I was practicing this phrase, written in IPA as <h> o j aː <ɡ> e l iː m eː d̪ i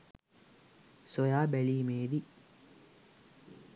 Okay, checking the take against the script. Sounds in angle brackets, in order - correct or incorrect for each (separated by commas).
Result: incorrect, incorrect